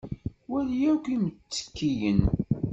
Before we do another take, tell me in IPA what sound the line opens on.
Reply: w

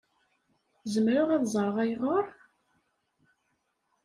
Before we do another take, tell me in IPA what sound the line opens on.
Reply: z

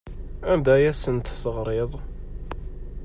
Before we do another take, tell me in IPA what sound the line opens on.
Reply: æ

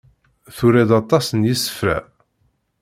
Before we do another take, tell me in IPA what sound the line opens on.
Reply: θ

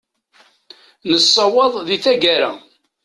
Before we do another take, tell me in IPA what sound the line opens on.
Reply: n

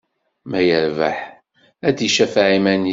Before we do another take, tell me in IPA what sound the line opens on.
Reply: m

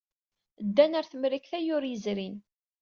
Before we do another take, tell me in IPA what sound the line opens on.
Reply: d̪ː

